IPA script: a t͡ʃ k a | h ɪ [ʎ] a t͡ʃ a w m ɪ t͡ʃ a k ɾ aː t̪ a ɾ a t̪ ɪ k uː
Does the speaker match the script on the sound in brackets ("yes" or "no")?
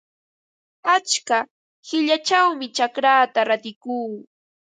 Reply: yes